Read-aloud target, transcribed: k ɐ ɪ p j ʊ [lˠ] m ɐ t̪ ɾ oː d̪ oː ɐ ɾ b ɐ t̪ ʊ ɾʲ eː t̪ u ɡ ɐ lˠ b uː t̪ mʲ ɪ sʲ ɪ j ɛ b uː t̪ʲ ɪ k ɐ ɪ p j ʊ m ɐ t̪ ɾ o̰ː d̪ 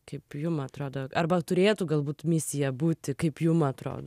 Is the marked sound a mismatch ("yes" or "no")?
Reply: yes